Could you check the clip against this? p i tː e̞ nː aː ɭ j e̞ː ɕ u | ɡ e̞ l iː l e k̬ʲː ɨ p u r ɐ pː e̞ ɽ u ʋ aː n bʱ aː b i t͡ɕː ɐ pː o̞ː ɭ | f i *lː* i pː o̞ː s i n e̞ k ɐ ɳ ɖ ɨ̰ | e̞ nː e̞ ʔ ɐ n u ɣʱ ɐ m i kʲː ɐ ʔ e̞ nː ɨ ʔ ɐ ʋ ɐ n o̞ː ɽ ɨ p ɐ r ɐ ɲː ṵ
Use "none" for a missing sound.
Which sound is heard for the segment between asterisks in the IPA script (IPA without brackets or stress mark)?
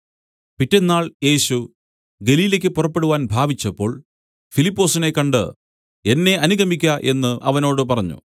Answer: l